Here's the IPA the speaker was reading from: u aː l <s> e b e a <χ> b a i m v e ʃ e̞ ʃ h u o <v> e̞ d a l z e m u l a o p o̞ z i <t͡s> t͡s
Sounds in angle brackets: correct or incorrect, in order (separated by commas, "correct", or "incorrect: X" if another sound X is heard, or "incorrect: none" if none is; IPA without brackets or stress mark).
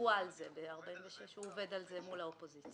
incorrect: z, incorrect: ʁ, correct, correct